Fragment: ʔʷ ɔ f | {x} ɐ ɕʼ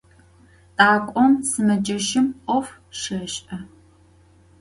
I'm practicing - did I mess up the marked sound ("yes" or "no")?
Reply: yes